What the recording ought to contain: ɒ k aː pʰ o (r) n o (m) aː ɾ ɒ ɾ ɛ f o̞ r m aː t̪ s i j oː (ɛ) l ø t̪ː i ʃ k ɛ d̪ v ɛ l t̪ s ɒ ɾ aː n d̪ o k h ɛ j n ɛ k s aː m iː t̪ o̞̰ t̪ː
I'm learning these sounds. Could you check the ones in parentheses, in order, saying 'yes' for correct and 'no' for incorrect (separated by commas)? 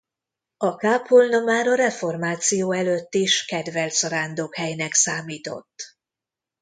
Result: no, yes, yes